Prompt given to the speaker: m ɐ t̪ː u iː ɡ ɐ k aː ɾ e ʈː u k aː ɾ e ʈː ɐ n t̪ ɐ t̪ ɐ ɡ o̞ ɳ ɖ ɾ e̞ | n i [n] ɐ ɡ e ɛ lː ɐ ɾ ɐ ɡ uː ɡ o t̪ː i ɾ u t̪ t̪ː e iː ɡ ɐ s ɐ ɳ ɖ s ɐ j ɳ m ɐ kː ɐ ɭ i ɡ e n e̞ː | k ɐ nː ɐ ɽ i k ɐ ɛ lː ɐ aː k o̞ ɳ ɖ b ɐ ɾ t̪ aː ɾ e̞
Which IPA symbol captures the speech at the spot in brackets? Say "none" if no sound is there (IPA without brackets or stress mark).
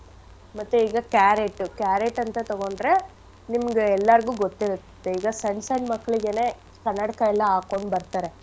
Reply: m